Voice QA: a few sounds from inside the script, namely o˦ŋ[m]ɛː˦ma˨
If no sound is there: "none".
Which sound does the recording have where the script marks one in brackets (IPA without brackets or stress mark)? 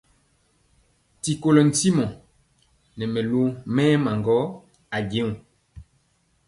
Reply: m